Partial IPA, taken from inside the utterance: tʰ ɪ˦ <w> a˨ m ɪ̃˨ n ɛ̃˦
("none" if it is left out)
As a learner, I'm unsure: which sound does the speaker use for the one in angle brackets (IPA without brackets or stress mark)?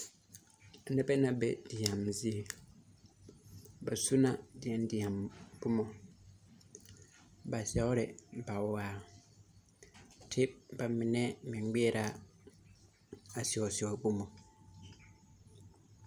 b